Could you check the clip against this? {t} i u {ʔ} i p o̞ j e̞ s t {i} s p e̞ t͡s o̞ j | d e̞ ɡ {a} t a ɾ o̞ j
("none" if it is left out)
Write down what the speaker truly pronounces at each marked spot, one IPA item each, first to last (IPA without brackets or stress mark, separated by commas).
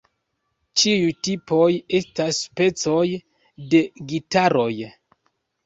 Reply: t͡ʃ, t, a, i